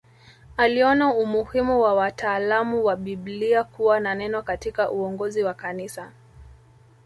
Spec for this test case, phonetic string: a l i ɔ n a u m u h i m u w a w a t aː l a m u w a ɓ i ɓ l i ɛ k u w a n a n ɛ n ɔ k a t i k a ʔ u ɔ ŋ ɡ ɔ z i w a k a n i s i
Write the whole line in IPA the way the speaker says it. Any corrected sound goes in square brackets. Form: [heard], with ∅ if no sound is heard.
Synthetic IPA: a l i ɔ n a u m u h i m u w a w a t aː l a m u w a ɓ i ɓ l i [a] k u w a n a n ɛ n ɔ k a t i k a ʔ u ɔ ŋ ɡ ɔ z i w a k a n i s [a]